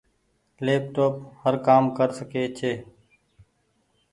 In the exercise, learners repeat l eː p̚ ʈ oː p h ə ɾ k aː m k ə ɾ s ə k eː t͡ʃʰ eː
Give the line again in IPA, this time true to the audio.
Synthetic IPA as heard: l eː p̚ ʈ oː p h ə ɾ k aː m k ə ɾ s ə k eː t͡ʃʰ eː